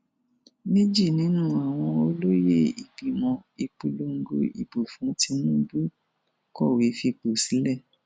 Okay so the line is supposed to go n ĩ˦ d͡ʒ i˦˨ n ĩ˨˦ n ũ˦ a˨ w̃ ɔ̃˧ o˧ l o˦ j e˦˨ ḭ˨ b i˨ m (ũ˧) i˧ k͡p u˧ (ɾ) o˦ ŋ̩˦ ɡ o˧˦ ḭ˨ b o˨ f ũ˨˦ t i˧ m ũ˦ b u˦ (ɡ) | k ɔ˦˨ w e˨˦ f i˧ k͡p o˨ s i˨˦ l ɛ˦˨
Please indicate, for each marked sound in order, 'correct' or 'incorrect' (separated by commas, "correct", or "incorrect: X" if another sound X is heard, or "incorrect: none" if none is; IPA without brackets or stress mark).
incorrect: ɔ̃˧, incorrect: l, incorrect: none